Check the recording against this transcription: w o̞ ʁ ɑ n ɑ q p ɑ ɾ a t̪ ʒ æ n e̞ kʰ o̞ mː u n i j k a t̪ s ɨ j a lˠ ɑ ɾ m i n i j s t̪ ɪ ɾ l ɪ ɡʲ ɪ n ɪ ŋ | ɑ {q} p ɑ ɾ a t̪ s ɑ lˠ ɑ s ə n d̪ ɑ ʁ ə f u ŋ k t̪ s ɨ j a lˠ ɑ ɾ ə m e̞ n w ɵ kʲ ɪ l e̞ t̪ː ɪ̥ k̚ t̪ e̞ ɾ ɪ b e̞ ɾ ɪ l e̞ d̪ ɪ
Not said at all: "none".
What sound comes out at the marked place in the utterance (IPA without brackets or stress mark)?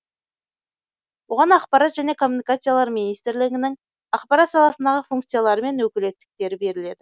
q